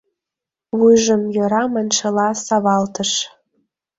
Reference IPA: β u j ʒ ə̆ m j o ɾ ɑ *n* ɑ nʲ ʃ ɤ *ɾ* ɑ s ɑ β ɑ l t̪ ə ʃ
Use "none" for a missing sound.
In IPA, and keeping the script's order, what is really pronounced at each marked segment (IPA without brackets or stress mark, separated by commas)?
m, l